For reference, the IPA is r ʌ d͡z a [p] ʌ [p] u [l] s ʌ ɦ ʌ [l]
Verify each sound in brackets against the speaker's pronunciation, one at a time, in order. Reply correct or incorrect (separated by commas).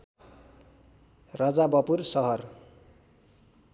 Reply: incorrect, correct, incorrect, incorrect